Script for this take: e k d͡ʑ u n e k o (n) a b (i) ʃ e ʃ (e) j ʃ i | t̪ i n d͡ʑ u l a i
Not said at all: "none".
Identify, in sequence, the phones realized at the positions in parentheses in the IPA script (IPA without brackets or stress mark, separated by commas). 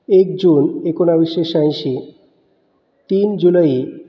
n, i, a